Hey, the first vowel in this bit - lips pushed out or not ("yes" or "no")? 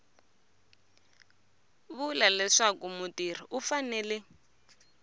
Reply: yes